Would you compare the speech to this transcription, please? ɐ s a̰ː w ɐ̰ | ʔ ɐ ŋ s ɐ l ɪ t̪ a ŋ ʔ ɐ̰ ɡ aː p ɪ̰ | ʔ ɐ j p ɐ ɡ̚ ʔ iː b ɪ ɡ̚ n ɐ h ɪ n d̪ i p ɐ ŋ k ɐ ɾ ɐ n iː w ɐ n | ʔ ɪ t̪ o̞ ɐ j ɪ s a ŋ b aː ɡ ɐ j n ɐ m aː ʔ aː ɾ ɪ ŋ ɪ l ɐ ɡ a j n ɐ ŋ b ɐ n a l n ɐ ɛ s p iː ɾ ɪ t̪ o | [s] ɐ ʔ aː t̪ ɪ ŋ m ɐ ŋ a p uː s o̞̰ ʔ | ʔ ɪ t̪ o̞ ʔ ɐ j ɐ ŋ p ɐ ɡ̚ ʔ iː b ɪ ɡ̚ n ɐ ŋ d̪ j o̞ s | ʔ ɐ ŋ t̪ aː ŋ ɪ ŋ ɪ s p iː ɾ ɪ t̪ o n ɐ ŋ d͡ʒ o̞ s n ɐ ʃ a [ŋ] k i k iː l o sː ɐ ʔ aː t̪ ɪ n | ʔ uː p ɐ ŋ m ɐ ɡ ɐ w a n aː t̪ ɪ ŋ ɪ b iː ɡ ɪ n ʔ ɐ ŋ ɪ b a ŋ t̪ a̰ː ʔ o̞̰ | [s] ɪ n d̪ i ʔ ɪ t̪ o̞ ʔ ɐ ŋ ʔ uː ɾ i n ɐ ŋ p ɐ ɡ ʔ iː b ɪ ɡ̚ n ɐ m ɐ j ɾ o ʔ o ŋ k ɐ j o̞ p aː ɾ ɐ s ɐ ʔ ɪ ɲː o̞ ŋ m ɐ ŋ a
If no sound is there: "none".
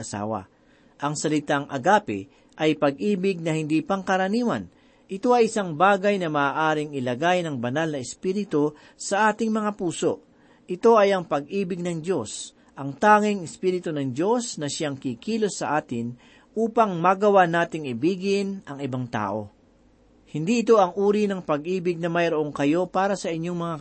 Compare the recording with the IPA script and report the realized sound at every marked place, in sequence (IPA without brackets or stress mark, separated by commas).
s, ŋ, h